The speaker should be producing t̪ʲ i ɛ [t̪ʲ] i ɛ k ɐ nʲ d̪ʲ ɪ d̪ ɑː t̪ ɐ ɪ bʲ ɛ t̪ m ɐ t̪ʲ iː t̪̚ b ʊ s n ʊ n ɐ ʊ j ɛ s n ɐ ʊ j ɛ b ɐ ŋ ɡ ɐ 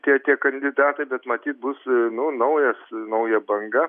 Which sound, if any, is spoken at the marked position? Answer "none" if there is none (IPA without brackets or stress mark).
t̪ʲ